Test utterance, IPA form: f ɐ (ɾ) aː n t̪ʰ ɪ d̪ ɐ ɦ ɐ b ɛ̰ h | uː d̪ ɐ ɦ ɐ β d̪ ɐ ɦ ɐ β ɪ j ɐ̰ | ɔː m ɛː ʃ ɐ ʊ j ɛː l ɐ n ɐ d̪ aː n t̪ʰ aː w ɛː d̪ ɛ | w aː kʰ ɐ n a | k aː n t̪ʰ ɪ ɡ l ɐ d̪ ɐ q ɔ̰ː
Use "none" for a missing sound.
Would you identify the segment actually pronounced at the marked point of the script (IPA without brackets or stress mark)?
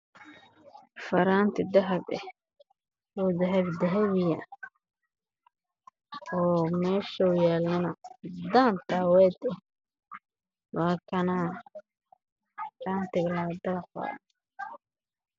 ɾ